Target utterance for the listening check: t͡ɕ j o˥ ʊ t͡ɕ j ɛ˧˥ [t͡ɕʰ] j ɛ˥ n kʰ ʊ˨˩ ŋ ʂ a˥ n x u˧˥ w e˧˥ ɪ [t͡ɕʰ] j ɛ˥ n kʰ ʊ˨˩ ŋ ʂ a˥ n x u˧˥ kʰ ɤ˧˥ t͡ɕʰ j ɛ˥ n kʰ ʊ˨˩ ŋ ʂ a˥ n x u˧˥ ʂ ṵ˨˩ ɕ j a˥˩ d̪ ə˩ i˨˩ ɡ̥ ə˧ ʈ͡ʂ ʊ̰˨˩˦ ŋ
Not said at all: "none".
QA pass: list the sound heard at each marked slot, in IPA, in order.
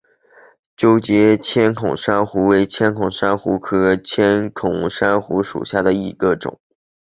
t͡ɕʰ, t͡ɕʰ

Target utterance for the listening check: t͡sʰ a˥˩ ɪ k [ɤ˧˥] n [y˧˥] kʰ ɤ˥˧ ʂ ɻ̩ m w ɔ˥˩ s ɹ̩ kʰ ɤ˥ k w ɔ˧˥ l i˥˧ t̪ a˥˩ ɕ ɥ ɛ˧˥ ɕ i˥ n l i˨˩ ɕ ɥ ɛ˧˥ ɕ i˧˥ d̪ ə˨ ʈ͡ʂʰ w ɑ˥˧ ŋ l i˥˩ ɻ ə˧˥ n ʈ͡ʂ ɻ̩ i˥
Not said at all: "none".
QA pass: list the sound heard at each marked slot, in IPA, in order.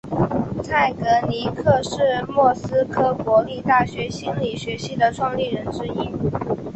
ɤ˧˥, i˧˥

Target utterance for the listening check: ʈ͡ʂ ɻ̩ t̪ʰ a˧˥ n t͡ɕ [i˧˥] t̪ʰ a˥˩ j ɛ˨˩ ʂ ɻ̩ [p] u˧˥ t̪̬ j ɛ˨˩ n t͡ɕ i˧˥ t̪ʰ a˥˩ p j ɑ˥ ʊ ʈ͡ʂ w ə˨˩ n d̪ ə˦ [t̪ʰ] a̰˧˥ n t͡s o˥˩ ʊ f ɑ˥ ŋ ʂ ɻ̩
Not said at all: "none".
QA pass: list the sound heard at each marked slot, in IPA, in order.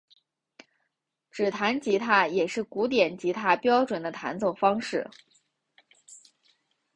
i˧˥, k, t̪ʰ

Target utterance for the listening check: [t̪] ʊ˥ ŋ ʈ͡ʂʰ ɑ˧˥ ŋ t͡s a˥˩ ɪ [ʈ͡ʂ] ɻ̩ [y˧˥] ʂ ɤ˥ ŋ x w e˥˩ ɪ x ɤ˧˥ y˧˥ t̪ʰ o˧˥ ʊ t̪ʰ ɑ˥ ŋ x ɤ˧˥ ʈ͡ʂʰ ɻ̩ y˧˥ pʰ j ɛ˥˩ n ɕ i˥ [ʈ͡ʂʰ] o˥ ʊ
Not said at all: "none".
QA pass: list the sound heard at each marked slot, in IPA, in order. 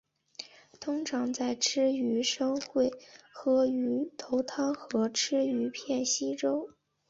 t̪ʰ, ʈ͡ʂʰ, y˧˥, ʈ͡ʂ

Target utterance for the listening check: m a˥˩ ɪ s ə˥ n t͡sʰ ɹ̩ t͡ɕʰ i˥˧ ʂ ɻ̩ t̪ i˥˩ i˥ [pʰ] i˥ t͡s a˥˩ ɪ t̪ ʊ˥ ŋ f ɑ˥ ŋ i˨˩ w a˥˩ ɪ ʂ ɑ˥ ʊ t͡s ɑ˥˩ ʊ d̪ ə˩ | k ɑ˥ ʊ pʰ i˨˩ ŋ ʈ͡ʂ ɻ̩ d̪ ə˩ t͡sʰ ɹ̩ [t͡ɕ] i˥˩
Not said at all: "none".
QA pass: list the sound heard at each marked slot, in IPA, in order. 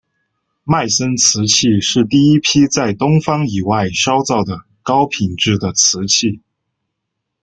pʰ, t͡ɕʰ

